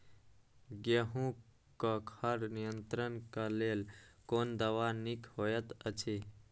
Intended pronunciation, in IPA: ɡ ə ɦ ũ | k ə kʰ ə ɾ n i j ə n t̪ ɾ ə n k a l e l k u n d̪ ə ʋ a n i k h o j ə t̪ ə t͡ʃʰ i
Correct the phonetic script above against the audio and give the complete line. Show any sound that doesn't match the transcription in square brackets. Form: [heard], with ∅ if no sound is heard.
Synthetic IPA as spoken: ɡ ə ɦ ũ | k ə kʰ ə ɾ n i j ə n t̪ ɾ ə n k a l e l k [o] n d̪ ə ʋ a n i k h o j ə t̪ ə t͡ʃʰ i

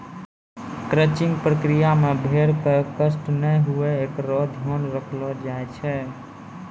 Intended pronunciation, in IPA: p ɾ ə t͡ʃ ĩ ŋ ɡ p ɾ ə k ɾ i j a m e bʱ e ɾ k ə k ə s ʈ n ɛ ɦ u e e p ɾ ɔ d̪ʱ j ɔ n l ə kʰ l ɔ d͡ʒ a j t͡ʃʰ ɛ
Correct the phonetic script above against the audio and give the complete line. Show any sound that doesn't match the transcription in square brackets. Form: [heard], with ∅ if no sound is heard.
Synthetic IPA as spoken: [k] ɾ ə t͡ʃ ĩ ŋ ɡ p ɾ ə k ɾ i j a m e bʱ e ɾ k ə k ə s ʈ n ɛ ɦ u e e [k] ɾ ɔ d̪ʱ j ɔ n [ɾ] ə kʰ l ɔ d͡ʒ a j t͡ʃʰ ɛ

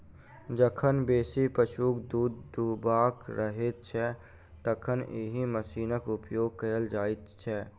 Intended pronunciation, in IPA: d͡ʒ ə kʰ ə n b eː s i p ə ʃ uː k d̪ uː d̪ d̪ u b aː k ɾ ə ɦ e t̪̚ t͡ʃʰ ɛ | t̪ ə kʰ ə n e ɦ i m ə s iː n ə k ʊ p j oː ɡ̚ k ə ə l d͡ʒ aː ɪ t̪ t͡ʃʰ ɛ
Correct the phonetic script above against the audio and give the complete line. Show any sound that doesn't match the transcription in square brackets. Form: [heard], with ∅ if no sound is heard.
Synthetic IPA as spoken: d͡ʒ ə kʰ ə n b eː s i p ə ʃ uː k d̪ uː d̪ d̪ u b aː k ɾ ə ɦ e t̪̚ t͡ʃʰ ɛ | t̪ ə kʰ ə n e ɦ i m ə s iː n ə k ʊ p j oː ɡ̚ k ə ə l d͡ʒ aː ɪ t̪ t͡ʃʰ ɛ

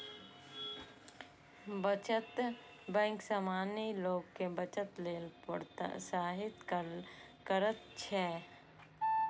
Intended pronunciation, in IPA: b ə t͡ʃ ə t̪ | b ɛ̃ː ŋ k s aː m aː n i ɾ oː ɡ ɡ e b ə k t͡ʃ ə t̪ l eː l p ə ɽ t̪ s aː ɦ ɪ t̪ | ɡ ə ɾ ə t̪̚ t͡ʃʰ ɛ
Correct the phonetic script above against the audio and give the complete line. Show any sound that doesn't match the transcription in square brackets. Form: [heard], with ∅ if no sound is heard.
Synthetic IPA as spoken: b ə t͡ʃ ə t̪ | b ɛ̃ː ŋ k s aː m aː n i [l] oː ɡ [k] e b ə [∅] t͡ʃ ə t̪ l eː l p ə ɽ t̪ s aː ɦ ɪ t̪ | [k] ə ɾ ə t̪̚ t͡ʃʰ ɛ

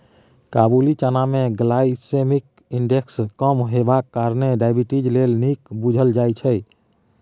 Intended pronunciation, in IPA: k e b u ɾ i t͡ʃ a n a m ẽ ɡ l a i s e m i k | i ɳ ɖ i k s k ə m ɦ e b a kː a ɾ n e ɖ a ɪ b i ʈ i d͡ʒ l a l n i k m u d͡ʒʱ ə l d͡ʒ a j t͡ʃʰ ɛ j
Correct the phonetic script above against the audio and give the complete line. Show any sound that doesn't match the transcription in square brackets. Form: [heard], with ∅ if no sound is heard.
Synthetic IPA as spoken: k [a] b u [l] i t͡ʃ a n a m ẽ ɡ l a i s e m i k | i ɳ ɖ [e] k s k ə m ɦ e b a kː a ɾ n e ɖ a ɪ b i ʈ i d͡ʒ l [e] l n i k [b] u d͡ʒʱ ə l d͡ʒ a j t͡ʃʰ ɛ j

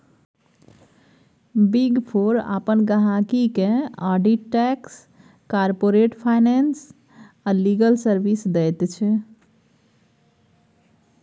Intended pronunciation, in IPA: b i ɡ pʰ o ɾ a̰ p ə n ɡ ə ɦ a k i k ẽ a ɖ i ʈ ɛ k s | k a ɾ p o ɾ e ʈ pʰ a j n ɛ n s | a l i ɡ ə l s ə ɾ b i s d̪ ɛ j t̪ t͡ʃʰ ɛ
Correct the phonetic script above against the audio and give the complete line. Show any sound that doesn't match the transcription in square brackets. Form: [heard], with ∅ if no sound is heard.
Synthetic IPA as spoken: b i ɡ pʰ o ɾ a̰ p ə n ɡ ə ɦ a k i k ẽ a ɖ i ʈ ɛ k s | k a ɾ p o ɾ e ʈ pʰ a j n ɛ n s | a l i ɡ ə l s ə ɾ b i s d̪ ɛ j t̪ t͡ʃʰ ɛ

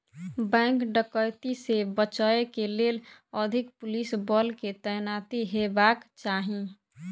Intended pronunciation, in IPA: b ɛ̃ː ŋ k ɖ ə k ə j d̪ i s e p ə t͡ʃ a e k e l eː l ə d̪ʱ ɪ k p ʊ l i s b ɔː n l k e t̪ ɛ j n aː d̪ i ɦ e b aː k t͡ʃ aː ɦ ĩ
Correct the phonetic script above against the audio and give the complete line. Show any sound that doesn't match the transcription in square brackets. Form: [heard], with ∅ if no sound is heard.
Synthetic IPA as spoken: b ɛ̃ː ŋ k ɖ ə k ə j [t̪] i s e [b] ə t͡ʃ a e k e l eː l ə d̪ʱ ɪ k p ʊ l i s b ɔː [∅] l k e t̪ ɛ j n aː [t̪] i ɦ e b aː k t͡ʃ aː ɦ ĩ

